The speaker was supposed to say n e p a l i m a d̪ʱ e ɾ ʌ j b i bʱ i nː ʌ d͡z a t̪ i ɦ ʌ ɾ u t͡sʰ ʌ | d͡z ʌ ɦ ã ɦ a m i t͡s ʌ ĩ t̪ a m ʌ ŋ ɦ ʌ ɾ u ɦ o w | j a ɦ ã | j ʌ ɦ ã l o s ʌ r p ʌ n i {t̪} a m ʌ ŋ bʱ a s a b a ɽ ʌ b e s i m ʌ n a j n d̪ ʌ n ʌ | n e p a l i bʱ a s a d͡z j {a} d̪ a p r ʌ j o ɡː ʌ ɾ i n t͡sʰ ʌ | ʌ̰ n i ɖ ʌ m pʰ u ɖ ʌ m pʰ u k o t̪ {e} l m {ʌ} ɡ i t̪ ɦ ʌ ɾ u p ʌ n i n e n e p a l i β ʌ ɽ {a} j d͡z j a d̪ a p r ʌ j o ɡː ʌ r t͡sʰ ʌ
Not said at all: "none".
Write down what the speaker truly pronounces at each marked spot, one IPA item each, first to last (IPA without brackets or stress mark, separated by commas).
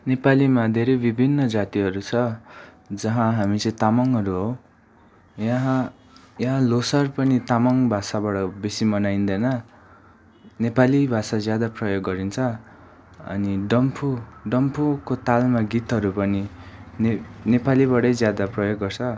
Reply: t̪, a, a, a, ʌ